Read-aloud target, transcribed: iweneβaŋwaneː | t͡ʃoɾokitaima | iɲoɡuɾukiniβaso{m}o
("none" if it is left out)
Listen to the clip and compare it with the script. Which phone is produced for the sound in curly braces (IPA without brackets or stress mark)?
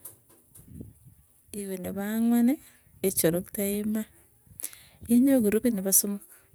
m